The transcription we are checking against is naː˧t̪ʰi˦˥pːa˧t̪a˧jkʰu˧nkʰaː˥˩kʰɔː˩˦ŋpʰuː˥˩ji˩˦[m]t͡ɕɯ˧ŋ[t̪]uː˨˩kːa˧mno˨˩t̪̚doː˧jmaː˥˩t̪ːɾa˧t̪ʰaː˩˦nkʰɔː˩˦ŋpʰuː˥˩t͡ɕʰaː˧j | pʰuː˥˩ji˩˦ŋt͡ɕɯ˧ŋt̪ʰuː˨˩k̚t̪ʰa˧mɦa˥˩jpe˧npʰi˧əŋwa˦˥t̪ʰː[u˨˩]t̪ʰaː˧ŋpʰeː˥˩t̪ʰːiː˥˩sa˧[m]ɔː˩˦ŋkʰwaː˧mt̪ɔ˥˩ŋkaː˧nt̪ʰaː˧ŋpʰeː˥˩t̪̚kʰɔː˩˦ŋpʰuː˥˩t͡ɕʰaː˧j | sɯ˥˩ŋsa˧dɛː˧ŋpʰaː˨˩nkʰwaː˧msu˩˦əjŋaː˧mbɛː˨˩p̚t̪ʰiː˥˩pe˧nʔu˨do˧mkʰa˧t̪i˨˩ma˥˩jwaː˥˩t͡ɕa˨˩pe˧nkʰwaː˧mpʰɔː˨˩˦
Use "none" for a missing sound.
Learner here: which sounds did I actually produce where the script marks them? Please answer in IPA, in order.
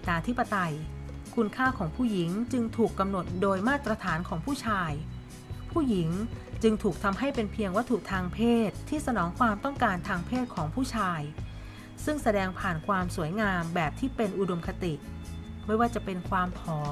ŋ, t̪ʰ, u˨˩, n

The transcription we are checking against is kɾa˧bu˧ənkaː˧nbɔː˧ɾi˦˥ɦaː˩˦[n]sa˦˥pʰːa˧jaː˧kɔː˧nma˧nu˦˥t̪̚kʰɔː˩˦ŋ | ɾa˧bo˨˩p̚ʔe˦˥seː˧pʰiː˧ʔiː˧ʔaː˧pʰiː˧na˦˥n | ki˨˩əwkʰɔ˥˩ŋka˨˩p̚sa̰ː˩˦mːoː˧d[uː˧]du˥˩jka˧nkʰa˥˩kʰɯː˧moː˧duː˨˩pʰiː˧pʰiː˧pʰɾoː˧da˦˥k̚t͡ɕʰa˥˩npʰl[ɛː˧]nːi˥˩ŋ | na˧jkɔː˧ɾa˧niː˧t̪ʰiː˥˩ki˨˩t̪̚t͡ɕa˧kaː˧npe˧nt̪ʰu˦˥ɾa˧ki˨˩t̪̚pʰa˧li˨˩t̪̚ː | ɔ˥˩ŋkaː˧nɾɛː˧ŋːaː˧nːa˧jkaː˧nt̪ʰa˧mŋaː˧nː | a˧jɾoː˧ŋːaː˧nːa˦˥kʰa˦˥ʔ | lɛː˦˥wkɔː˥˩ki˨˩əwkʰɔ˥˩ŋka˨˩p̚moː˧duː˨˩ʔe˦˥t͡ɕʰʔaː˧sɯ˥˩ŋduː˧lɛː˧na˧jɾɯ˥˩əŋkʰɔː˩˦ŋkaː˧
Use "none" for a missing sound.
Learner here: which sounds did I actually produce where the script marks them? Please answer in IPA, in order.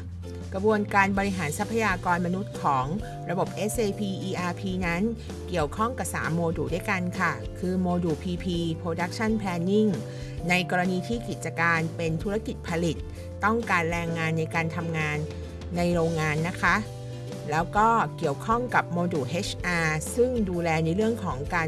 n, uː˨˩, ɛː˧

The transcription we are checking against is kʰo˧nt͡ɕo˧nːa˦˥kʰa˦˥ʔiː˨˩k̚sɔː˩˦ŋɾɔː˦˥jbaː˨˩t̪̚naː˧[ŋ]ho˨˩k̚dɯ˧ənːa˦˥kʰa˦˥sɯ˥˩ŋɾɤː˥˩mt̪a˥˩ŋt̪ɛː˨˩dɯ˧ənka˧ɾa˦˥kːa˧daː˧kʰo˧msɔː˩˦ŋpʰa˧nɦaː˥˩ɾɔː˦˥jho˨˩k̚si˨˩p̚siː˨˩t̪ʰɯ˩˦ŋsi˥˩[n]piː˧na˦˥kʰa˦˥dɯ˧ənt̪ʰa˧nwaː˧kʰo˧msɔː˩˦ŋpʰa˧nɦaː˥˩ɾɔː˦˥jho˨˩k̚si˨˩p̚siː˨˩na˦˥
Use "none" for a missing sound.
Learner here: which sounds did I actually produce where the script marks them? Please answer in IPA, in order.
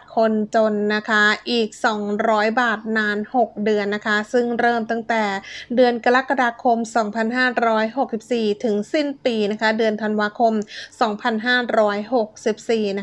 n, n

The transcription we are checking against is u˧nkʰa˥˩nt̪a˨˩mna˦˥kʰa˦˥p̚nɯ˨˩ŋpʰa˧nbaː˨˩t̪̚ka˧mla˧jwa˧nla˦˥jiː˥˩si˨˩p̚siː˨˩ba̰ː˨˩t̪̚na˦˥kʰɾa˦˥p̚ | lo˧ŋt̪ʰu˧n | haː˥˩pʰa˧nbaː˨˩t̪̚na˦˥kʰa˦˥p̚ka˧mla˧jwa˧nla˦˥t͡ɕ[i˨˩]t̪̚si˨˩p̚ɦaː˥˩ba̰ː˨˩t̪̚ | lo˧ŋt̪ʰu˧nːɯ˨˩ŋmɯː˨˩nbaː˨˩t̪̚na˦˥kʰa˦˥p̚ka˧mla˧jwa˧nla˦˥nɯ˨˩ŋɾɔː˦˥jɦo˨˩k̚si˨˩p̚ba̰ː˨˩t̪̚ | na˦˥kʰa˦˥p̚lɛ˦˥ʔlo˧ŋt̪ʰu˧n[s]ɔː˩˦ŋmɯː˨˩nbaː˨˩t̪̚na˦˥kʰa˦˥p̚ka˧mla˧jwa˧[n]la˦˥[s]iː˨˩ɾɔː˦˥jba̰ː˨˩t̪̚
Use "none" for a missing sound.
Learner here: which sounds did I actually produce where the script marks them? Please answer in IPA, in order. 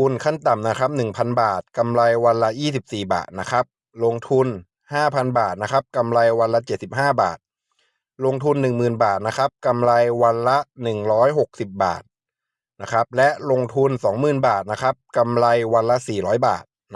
e˨˩, s, n, s

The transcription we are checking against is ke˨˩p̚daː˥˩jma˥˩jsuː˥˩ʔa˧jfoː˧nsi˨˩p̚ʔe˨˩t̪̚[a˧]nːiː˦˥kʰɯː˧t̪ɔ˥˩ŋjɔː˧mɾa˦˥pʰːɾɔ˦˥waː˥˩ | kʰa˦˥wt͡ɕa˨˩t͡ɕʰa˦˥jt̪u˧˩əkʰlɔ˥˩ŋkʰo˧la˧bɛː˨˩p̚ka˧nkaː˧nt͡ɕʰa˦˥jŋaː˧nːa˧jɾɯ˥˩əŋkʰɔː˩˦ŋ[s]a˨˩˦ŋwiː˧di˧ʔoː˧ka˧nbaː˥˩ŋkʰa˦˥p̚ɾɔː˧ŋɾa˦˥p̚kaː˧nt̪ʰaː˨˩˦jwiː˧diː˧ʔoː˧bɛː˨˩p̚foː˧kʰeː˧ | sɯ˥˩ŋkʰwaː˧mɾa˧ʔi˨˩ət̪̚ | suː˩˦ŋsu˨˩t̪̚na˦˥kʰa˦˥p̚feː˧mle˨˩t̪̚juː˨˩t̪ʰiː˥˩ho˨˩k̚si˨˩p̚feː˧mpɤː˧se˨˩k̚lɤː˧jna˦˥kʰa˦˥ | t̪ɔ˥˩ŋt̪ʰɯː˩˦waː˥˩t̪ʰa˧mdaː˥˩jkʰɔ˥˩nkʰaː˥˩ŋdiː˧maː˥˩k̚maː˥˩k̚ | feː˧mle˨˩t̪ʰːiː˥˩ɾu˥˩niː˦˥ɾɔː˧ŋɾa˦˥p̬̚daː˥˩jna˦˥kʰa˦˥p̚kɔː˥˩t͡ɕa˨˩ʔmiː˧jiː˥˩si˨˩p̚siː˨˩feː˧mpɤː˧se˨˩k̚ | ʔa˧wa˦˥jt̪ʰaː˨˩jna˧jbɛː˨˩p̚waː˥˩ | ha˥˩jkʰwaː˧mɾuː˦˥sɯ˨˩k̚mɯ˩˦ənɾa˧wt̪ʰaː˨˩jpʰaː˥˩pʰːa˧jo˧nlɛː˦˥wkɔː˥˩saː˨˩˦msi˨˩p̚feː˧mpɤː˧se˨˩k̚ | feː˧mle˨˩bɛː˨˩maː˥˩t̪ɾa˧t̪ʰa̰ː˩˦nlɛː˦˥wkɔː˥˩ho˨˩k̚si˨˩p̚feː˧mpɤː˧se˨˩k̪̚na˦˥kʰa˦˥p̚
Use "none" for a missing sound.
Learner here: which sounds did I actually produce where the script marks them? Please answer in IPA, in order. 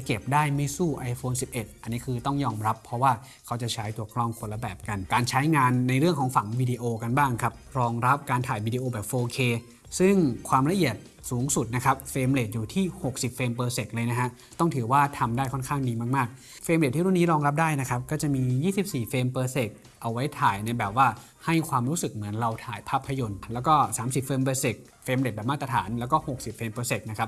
a˧, f

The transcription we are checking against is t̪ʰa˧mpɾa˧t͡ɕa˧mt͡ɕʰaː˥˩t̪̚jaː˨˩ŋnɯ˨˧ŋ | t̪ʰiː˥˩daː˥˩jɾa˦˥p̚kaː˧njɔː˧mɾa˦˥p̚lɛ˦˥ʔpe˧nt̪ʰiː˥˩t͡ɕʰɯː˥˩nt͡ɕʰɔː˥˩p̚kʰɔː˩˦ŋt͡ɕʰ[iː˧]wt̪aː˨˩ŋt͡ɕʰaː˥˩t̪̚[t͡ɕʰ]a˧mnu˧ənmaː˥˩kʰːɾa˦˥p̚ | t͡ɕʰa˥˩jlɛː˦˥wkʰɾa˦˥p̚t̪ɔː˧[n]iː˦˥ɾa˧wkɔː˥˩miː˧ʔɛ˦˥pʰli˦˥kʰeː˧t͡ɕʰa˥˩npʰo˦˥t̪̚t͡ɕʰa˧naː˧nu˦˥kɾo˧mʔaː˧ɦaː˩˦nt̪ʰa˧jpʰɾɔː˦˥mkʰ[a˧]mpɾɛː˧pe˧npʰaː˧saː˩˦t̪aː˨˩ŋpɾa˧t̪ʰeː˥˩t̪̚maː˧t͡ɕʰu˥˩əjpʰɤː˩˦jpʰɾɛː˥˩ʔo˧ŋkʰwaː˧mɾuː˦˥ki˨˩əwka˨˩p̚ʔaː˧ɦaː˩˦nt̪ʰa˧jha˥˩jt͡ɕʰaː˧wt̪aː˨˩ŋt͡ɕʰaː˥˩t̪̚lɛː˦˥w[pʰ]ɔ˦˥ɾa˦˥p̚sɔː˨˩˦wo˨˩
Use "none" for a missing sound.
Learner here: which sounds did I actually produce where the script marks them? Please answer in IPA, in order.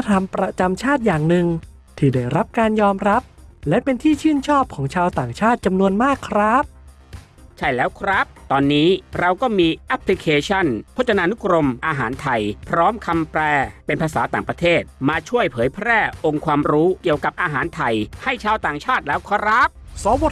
aː˧, t͡ɕ, nː, a˧, kʰ

